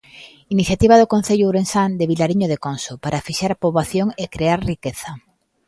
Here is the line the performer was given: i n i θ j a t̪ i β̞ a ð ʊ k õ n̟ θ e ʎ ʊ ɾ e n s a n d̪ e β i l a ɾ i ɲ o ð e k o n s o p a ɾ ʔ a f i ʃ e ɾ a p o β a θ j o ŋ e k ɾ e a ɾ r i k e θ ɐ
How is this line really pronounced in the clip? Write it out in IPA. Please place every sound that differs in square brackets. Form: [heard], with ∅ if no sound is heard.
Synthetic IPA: i n i θ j a t̪ i β̞ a ð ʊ k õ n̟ θ e ʎ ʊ ɾ e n s a n d̪ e β i l a ɾ i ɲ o ð e k o n s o p a ɾ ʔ a f i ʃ [a] ɾ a p o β a θ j o ŋ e k ɾ e a ɾ r i k e θ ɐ